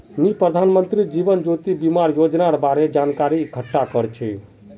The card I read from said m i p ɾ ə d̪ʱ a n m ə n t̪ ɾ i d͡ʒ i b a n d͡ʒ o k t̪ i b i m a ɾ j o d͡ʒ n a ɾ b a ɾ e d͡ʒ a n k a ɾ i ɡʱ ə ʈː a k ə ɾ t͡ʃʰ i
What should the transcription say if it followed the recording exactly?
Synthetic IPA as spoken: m i p ɾ ə d̪ʱ a n m ə n t̪ ɾ i d͡ʒ i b ə n d͡ʒ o t̪ i b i m a ɾ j o d͡ʒ n a ɾ b a ɾ e d͡ʒ a n k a ɾ i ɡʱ ə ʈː a k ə ɾ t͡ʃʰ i